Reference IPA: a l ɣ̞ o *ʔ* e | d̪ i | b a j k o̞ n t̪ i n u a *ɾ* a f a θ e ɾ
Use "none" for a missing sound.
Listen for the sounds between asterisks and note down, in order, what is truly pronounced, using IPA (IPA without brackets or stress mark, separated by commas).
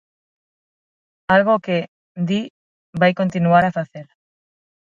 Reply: k, ɾ